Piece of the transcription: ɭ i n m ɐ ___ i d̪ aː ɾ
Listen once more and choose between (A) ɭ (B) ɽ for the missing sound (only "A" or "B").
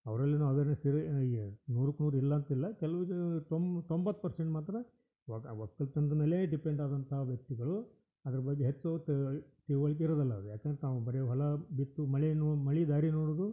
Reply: A